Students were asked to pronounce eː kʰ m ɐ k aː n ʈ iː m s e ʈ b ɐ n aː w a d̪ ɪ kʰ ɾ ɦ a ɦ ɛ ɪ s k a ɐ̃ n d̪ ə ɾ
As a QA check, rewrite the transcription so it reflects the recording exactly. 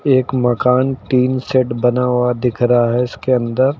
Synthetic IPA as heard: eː k m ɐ k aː n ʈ iː n s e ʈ b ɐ n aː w a d̪ ɪ kʰ ɾ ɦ a ɦ ɛ ɪ s k e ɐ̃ n d̪ ə ɾ